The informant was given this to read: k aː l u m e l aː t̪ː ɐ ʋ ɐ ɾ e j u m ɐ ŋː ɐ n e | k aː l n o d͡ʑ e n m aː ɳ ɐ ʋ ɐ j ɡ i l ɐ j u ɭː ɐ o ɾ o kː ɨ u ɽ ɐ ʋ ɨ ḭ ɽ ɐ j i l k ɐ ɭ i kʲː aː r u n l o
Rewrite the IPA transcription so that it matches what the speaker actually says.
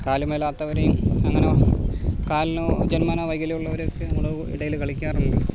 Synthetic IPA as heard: k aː l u m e l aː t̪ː ɐ ʋ ɐ ɾ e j u m ɐ ŋː ɐ n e | k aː l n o d͡ʑ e n m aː n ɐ ʋ ɐ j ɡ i l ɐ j u ɭː ɐ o ɾ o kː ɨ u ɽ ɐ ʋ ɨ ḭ ɽ ɐ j i l k ɐ ɭ i kʲː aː r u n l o

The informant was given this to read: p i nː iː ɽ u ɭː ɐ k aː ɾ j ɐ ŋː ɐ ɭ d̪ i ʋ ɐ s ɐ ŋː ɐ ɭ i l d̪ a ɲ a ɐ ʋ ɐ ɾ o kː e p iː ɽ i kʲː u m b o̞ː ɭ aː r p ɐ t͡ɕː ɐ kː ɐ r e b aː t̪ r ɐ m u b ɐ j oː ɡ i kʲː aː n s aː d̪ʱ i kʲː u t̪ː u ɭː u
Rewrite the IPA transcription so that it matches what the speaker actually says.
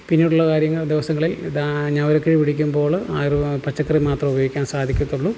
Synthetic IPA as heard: p i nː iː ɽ u ɭː ɐ k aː ɾ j ɐ ŋː ɐ ɭ d̪ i ʋ ɐ s ɐ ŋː ɐ ɭ i l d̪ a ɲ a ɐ ʋ ɐ ɾ o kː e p i ɽ i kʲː u m b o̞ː ɭ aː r p ɐ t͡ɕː ɐ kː ɐ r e m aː t̪ r ɐ m u b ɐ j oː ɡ i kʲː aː n s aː d̪ʱ i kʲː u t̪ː u ɭː u

